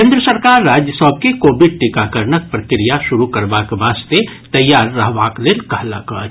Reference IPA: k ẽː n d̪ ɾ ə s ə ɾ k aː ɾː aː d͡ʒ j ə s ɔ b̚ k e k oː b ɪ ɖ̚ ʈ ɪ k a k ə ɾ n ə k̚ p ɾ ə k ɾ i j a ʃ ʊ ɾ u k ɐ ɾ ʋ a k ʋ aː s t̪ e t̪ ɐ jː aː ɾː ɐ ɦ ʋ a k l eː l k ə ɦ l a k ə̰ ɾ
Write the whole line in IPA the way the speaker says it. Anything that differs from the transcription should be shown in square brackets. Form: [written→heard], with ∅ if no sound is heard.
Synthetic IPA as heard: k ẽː n d̪ ɾ ə s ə ɾ k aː ɾː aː d͡ʒ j ə s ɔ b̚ k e k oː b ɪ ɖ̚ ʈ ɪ k a k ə ɾ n ə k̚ p ɾ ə k ɾ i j a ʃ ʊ ɾ u k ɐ ɾ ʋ a k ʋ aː s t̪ e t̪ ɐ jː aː ɾː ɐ ɦ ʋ a k l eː l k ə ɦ l a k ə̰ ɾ